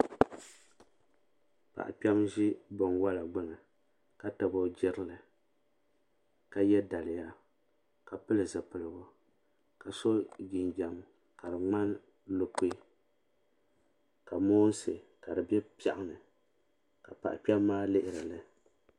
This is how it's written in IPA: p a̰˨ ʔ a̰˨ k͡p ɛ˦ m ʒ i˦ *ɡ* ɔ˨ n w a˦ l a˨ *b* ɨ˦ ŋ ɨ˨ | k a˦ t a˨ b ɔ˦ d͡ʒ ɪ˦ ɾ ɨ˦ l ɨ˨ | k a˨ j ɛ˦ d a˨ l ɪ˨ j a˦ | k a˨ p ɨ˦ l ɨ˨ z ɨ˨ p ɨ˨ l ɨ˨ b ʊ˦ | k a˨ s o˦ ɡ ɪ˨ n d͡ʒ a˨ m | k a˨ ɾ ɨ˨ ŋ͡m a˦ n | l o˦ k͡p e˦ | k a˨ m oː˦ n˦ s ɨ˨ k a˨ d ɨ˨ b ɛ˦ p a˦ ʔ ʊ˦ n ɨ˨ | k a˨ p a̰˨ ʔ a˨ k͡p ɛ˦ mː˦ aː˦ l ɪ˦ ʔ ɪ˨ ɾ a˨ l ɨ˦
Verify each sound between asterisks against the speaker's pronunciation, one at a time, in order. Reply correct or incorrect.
incorrect, incorrect

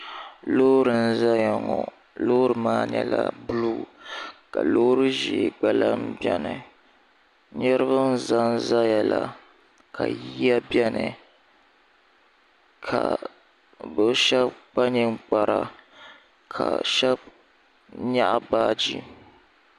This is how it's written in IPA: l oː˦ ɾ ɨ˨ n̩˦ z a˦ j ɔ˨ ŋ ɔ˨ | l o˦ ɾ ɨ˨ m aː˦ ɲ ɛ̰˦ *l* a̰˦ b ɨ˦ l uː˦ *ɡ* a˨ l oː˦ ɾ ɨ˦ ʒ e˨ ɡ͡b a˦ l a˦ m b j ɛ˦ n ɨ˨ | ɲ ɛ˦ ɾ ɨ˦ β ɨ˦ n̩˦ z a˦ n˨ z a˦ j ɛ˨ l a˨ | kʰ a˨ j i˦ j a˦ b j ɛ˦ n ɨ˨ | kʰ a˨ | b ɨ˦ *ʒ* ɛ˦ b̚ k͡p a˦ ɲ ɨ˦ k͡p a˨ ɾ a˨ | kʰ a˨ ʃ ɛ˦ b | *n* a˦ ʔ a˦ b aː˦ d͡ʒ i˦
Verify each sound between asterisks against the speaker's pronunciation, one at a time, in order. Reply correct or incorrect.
correct, incorrect, incorrect, incorrect

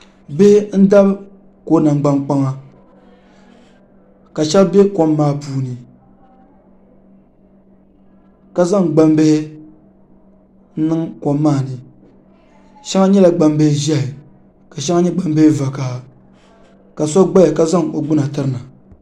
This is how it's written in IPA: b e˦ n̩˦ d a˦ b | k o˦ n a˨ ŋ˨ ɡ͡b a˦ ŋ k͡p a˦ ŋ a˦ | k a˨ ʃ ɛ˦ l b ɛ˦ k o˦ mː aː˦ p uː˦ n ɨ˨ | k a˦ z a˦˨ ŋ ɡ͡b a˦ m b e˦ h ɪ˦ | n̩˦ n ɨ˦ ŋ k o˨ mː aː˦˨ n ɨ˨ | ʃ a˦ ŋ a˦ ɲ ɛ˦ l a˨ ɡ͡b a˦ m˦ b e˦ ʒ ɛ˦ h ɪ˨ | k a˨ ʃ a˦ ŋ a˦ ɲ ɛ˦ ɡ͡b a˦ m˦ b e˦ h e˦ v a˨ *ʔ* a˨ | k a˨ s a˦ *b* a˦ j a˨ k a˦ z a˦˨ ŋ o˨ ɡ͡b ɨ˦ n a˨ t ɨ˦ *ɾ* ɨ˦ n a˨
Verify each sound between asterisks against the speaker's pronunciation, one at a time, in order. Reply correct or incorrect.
incorrect, incorrect, correct

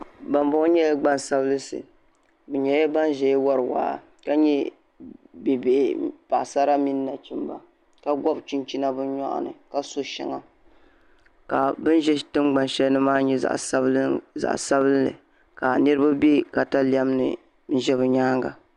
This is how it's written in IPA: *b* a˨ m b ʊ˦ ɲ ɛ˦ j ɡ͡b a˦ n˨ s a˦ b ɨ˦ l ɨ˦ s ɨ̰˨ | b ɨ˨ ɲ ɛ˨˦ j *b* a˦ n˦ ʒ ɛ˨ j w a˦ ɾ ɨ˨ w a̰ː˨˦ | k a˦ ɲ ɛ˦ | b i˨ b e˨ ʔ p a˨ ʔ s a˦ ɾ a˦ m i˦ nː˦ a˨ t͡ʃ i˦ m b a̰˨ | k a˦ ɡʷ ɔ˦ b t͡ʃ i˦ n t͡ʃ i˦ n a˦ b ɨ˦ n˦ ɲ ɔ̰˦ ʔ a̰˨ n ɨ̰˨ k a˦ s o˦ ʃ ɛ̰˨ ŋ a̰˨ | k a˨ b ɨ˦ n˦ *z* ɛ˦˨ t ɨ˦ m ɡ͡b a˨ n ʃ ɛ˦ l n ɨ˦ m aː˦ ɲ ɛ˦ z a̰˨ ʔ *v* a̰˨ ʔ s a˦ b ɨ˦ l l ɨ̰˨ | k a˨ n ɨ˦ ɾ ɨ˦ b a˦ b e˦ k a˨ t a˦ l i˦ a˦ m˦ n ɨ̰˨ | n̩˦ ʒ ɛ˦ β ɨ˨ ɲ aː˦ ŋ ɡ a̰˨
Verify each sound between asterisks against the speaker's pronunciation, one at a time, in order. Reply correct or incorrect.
correct, correct, incorrect, incorrect

